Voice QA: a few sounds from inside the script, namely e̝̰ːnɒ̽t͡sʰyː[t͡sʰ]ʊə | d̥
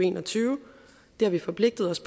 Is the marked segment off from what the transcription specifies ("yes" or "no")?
yes